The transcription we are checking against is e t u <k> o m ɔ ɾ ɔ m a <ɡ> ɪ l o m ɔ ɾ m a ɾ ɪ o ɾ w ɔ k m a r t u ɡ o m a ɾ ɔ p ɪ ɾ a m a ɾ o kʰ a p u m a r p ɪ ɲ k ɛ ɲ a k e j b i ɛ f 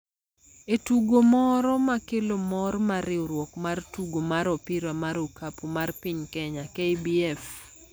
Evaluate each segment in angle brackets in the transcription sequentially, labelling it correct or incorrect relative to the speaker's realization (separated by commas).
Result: incorrect, incorrect